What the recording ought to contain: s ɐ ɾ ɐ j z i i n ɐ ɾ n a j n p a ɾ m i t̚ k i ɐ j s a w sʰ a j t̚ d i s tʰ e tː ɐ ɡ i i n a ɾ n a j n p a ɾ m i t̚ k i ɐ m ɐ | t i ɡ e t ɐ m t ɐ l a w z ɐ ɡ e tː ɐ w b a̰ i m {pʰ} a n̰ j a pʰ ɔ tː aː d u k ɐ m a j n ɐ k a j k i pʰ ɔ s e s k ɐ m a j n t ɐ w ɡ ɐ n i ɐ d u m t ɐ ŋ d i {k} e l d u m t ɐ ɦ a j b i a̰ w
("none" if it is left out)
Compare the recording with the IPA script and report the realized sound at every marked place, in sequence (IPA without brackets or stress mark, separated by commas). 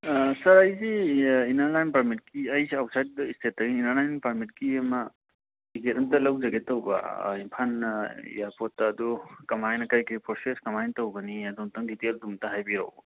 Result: pʰ, t